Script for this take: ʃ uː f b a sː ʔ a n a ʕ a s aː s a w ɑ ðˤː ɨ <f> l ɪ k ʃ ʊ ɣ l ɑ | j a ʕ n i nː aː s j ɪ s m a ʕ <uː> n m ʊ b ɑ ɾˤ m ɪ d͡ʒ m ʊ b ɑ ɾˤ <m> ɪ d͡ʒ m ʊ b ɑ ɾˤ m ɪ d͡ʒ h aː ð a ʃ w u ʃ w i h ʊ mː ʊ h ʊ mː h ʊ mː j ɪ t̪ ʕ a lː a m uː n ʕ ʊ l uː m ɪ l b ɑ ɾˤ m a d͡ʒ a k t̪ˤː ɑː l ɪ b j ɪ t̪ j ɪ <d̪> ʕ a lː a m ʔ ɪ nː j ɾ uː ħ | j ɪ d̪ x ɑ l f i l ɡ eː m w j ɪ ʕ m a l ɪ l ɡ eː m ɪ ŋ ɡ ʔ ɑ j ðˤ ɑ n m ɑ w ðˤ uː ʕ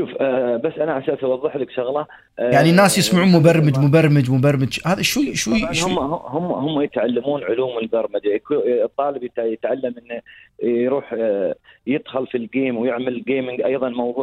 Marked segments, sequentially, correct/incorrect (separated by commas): incorrect, correct, correct, incorrect